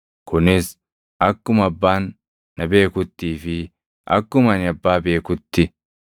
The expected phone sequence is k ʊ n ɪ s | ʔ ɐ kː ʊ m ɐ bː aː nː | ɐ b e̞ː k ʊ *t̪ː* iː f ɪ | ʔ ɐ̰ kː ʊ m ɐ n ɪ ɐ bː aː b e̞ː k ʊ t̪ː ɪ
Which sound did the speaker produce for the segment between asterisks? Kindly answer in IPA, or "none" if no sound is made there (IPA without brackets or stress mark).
t̪ː